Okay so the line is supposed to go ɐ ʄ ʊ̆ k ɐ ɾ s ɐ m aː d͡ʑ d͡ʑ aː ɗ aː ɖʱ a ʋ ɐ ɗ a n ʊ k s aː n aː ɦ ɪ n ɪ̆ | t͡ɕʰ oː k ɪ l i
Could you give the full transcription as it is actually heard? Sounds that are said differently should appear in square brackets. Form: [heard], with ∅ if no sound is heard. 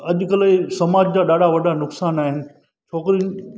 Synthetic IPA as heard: ɐ ʄ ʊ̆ k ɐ [l] s ɐ m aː d͡ʑ d͡ʑ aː ɗ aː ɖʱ a ʋ ɐ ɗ a n ʊ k s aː n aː ɦ ɪ n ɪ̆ | t͡ɕʰ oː k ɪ [ɾ] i